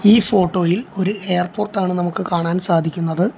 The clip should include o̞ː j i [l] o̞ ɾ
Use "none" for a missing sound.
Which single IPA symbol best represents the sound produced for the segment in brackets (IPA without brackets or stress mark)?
l